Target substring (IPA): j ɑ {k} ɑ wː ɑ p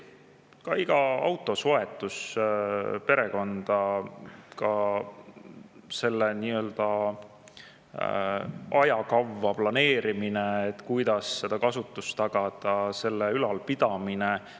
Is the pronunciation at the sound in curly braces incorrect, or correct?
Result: correct